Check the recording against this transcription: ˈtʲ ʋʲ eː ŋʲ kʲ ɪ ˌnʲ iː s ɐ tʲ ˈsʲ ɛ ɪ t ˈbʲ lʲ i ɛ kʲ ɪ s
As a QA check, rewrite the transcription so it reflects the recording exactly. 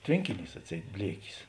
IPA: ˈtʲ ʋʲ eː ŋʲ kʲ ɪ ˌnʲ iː s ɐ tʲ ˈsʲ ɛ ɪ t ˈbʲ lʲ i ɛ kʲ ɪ s